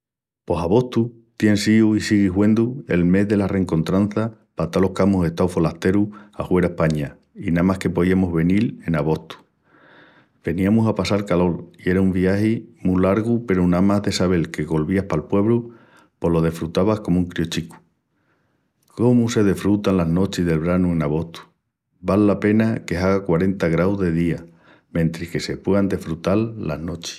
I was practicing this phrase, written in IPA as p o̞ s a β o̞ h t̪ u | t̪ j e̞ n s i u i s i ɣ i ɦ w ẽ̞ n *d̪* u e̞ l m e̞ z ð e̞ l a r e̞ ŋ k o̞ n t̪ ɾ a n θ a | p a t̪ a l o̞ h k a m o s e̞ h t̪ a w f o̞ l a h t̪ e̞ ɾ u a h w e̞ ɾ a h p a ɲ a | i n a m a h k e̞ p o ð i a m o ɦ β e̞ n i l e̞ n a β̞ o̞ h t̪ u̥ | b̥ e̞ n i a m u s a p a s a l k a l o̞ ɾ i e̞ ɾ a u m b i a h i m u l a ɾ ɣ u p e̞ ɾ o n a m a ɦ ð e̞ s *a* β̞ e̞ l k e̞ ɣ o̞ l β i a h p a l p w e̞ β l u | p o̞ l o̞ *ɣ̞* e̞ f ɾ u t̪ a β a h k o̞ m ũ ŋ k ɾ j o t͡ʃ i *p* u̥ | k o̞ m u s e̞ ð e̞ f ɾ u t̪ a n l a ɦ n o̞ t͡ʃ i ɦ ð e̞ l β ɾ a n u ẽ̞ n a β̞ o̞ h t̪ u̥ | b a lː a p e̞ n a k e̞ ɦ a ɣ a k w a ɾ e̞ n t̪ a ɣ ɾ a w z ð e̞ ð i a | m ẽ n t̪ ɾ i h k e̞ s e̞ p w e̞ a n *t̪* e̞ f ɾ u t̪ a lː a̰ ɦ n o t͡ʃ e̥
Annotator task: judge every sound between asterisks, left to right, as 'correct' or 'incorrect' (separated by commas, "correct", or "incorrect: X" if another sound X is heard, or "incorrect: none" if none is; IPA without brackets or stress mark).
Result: correct, correct, incorrect: ð̞, incorrect: k, incorrect: d̪